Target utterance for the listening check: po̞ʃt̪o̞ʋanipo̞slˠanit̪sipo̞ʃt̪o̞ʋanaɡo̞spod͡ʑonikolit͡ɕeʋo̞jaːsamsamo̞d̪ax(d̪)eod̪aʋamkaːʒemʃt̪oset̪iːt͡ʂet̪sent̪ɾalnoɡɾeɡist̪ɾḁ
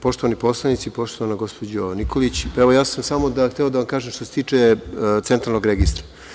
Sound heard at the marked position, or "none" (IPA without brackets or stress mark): t̪